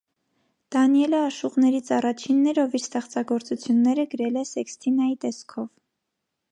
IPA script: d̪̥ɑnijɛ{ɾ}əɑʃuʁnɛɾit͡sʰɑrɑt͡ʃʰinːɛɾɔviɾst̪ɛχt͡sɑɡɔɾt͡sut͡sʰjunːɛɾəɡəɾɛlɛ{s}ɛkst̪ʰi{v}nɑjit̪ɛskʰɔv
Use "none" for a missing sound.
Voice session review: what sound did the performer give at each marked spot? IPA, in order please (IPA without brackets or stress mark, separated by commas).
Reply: l, s, none